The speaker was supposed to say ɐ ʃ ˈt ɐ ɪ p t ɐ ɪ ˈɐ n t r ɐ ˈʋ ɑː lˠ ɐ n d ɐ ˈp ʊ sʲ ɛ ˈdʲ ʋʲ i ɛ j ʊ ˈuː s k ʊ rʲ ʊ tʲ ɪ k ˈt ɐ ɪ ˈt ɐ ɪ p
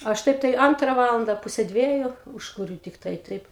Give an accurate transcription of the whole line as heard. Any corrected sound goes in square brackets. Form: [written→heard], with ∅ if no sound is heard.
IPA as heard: ɐ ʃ ˈt ɐ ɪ p t ɐ ɪ ˈɐ n t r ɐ ˈʋ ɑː lˠ ɐ n d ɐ ˈp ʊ sʲ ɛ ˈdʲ ʋʲ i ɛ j ʊ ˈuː [s→ʃ] k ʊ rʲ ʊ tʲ ɪ k ˈt ɐ ɪ ˈt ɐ ɪ p

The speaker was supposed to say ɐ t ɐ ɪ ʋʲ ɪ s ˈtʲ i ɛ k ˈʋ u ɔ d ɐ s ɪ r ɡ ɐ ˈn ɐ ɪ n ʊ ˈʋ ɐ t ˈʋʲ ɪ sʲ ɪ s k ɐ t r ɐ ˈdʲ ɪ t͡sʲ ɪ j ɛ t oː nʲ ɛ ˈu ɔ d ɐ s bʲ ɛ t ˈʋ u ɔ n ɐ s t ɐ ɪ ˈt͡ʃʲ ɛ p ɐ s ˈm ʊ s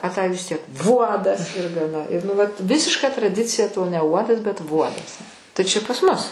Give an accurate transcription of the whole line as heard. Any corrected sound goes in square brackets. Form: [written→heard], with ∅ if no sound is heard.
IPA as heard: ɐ t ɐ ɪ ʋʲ ɪ s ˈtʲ i ɛ k ˈʋ u ɔ d ɐ s ɪ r ɡ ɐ ˈn ɐ ɪ n ʊ ˈʋ ɐ t ˈʋʲ ɪ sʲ ɪ [s→ʃ] k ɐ t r ɐ ˈdʲ ɪ t͡sʲ ɪ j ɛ t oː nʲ ɛ ˈu ɔ d ɐ s bʲ ɛ t ˈʋ u ɔ [n→d] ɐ s t ɐ ɪ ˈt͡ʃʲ ɛ p ɐ s ˈm ʊ s

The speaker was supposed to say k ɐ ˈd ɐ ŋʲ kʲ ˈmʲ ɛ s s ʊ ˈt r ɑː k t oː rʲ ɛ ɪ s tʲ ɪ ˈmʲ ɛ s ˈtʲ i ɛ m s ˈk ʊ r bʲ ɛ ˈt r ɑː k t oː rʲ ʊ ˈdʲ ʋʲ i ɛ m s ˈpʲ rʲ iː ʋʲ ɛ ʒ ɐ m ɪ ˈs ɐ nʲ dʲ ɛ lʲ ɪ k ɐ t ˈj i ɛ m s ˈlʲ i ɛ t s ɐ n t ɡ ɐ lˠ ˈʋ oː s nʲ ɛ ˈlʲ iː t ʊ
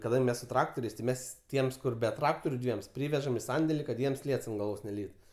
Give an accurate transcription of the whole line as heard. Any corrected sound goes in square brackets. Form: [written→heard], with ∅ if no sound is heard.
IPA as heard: k ɐ ˈd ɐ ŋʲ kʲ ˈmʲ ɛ s s ʊ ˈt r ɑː k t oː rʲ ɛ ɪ s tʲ ɪ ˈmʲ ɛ s ˈtʲ i ɛ m s ˈk ʊ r bʲ ɛ ˈt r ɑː k t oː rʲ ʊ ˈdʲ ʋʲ i ɛ m s ˈpʲ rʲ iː ʋʲ ɛ ʒ ɐ m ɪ ˈs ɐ nʲ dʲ ɛ lʲ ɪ k ɐ t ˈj i ɛ m s ˈlʲ i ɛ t s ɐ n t ɡ ɐ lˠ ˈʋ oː s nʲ ɛ ˈlʲ iː t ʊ

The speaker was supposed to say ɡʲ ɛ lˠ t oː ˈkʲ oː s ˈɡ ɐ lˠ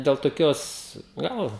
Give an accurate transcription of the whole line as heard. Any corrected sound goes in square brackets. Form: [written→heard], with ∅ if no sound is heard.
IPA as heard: [ɡʲ→dʲ] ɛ lˠ t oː ˈkʲ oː s ˈɡ ɐ lˠ

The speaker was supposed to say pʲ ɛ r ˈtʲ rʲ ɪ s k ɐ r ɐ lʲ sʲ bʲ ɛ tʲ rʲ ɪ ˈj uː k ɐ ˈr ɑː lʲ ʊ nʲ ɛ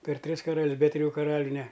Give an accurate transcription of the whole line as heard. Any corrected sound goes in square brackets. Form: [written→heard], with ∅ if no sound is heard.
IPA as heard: pʲ ɛ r ˈtʲ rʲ ɪ s k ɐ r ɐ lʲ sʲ bʲ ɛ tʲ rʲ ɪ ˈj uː k ɐ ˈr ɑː lʲ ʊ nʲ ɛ

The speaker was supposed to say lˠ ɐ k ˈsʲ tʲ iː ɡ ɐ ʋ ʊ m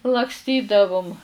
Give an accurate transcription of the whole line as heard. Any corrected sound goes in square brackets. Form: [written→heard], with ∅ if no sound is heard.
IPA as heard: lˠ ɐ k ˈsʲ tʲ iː [ɡ→d] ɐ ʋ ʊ m

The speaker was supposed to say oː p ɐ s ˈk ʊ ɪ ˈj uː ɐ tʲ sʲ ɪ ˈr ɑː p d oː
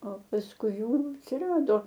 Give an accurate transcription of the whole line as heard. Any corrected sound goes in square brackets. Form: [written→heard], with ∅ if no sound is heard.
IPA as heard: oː p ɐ s ˈk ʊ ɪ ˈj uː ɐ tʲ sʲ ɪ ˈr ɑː [p→∅] d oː

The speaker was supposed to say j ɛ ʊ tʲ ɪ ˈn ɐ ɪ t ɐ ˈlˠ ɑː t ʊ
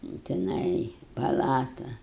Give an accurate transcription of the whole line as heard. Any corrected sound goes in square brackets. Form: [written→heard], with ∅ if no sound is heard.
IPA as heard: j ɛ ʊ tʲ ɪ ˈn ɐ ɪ [t→p] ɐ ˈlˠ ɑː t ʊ

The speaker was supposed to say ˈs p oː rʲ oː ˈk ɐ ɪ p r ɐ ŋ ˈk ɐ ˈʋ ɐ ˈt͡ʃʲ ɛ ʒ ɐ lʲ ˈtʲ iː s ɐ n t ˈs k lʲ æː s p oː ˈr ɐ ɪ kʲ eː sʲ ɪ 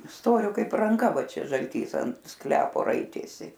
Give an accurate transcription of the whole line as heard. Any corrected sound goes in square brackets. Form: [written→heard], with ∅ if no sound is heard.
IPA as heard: ˈs [p→t] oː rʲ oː ˈk ɐ ɪ p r ɐ ŋ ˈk ɐ ˈʋ ɐ ˈt͡ʃʲ ɛ ʒ ɐ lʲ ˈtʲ iː s ɐ n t ˈs k lʲ æː [s→∅] p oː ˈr ɐ ɪ [kʲ→tʲ] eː sʲ ɪ

